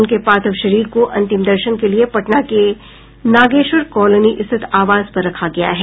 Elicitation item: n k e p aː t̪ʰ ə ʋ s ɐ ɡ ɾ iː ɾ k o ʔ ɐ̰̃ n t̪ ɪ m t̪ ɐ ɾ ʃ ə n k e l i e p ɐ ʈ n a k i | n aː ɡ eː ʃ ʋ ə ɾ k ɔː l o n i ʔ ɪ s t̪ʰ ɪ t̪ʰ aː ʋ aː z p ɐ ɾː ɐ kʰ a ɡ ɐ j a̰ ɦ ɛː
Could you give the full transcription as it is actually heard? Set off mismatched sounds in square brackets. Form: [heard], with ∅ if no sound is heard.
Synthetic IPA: n k e p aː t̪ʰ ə ʋ [ʃ] ɐ [∅] ɾ iː ɾ k o ʔ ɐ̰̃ n t̪ ɪ m [d̪] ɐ ɾ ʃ ə n k e l i e p ɐ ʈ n a k [e] | n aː ɡ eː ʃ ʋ ə ɾ k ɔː l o n i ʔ ɪ s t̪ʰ ɪ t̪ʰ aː ʋ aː z p ɐ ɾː ɐ kʰ a ɡ ɐ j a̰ ɦ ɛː